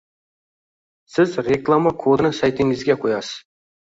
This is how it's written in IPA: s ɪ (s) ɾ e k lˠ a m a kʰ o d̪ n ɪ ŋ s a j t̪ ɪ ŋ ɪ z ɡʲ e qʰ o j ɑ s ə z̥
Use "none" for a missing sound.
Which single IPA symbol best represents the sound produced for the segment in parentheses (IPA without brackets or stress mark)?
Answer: z